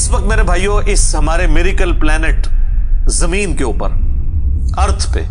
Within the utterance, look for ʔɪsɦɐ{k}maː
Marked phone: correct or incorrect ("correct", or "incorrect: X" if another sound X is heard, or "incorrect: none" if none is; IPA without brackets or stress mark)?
incorrect: none